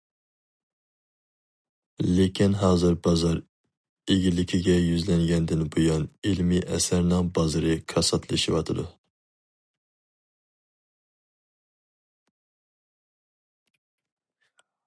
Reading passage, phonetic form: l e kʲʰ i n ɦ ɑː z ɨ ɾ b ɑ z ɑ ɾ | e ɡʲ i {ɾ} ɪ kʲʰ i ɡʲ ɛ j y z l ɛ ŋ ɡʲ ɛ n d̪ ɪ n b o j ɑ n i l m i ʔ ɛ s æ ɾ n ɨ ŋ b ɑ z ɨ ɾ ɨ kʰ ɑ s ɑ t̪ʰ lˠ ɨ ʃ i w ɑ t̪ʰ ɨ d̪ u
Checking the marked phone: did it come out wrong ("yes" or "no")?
yes